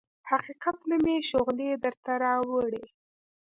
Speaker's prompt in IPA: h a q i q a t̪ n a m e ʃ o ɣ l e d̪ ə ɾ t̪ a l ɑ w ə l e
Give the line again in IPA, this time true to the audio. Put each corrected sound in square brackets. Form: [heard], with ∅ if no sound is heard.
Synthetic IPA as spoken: h a q i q a t̪ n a m e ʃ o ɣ l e d̪ ə ɾ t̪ a [ɾ] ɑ w ə [ɽ] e